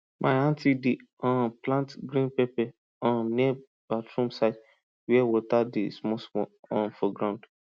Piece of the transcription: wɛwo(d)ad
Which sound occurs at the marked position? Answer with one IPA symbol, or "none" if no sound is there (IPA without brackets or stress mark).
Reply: t